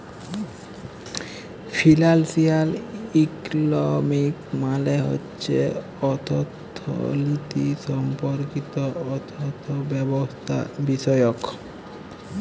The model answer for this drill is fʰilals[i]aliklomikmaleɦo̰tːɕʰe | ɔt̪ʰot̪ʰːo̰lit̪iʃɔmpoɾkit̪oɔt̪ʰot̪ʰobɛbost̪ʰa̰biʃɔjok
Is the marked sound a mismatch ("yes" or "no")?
no